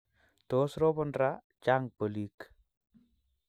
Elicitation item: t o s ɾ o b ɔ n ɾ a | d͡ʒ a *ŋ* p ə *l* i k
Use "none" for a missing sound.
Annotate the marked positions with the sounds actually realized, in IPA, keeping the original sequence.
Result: ŋ, l

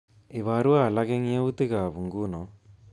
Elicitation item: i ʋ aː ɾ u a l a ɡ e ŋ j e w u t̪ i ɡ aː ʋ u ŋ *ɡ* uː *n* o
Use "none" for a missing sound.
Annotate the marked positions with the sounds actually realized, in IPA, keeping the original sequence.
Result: ɡ, n

